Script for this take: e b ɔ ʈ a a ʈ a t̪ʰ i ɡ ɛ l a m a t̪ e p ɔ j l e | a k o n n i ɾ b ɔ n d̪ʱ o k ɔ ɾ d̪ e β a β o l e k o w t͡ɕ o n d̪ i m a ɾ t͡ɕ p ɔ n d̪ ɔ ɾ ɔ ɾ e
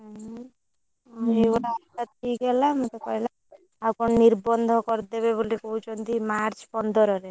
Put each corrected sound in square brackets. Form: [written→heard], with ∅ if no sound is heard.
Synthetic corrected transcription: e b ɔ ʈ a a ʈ a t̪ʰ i ɡ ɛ l a m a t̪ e [p→k] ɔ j l [e→a] | a k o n n i ɾ b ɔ n d̪ʱ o k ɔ ɾ d̪ e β [a→e] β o l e k o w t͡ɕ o n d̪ i m a ɾ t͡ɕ p ɔ n d̪ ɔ ɾ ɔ ɾ e